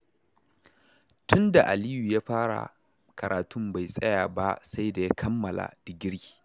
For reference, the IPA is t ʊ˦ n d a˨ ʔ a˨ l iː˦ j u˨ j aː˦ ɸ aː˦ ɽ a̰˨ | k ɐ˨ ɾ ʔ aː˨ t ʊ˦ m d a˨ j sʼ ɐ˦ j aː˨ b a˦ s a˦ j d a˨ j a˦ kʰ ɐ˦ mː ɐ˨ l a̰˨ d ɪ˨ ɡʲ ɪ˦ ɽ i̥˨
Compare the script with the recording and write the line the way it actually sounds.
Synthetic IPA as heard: t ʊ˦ n d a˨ ʔ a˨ l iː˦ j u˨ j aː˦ ɸ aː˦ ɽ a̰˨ | k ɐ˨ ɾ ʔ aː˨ t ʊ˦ m b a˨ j sʼ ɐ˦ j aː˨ b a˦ s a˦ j d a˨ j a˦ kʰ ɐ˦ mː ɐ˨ l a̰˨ d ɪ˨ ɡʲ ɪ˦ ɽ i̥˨